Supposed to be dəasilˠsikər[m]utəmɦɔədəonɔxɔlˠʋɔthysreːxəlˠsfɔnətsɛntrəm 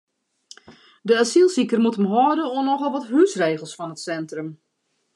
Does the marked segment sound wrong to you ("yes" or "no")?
no